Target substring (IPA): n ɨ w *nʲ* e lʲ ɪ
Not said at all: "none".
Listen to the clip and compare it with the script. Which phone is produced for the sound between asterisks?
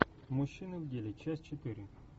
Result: dʲ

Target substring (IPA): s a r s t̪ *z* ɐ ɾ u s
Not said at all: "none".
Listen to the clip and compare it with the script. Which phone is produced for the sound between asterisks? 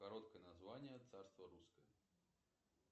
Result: v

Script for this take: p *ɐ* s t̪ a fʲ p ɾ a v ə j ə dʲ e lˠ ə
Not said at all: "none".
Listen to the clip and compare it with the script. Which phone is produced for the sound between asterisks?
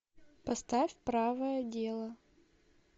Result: ɐ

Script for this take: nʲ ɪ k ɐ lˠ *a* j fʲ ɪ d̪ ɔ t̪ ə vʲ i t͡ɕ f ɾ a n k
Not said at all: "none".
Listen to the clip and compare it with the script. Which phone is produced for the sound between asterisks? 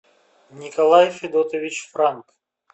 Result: a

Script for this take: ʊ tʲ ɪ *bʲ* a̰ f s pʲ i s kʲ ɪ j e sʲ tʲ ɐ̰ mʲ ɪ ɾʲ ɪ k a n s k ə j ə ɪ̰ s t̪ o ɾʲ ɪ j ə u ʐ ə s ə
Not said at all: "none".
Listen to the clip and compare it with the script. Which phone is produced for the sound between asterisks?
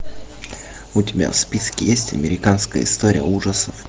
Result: bʲ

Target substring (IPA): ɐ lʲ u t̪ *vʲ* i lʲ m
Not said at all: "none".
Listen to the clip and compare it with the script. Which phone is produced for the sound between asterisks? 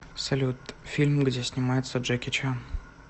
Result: fʲ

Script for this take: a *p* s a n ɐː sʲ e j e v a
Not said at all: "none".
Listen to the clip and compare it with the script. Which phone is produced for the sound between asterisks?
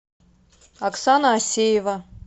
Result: k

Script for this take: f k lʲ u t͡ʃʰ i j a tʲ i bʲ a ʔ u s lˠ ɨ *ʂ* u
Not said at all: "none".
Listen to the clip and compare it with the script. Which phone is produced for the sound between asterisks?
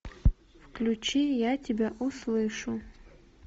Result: ʂ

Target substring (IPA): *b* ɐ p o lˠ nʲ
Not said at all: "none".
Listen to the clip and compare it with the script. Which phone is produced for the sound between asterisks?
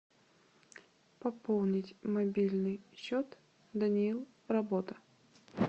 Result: p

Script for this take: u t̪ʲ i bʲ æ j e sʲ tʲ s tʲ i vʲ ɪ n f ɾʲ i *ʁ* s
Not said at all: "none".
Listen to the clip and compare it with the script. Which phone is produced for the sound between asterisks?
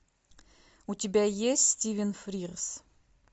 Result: ʁ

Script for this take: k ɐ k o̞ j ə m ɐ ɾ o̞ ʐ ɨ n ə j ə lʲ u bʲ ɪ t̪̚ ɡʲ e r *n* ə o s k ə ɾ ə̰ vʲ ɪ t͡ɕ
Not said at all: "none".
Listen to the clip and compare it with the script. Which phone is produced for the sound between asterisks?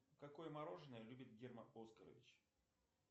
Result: m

